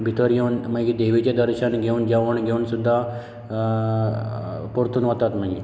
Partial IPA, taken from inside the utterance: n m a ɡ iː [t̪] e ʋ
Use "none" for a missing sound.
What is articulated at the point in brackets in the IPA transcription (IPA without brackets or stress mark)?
d̪